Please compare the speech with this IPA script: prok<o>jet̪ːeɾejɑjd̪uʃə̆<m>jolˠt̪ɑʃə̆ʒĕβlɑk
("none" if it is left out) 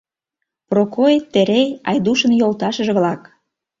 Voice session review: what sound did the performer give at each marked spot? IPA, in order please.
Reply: o, n

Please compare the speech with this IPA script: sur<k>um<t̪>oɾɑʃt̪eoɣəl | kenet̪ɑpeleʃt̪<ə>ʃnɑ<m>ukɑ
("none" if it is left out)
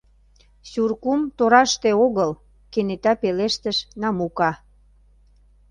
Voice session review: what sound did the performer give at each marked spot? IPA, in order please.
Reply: k, t̪, ə, m

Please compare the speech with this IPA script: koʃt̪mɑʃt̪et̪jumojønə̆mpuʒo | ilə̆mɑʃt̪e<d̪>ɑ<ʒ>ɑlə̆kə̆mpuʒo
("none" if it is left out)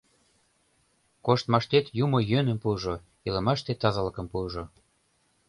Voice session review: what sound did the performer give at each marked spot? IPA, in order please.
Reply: t̪, z

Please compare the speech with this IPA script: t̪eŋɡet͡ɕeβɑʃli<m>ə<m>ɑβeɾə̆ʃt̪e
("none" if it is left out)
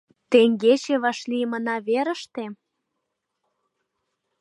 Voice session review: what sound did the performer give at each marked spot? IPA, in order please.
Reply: m, n

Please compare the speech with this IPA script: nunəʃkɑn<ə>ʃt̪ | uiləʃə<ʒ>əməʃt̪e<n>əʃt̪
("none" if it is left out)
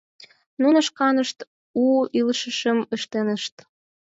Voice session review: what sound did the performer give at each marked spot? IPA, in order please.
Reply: ə, ʃ, n

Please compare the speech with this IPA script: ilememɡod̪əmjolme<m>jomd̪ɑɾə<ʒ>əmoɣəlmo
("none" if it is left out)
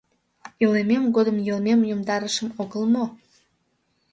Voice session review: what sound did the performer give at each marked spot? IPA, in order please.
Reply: m, ʃ

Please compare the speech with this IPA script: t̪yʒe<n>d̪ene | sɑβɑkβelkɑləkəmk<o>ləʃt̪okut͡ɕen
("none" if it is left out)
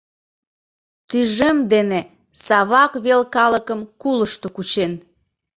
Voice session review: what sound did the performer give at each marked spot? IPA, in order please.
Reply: m, u

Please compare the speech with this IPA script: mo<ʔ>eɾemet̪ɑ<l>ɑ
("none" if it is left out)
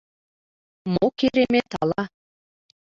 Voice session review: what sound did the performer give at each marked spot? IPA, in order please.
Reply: k, l

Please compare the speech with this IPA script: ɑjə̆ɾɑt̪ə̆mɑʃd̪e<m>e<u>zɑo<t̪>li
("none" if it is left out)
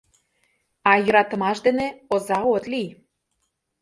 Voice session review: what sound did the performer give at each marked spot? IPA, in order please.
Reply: n, o, t̪

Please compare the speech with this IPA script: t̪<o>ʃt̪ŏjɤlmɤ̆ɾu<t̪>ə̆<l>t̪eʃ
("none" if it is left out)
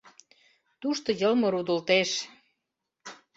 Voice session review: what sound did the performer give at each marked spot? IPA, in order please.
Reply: u, d̪, l

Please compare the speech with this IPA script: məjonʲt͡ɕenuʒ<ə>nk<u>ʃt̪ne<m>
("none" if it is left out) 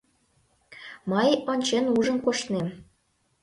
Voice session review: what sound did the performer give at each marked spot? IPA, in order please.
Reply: ə, o, m

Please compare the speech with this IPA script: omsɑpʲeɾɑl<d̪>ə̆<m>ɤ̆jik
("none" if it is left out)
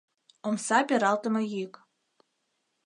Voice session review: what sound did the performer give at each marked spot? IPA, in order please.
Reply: t̪, m

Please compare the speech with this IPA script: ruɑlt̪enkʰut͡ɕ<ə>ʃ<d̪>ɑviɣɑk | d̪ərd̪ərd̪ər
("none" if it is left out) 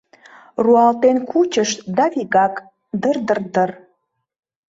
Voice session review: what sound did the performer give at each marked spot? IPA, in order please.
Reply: ə, d̪

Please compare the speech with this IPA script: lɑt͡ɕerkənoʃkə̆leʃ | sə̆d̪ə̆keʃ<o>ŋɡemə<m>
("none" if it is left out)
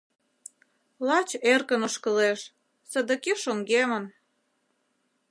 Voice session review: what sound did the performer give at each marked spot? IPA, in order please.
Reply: o, n

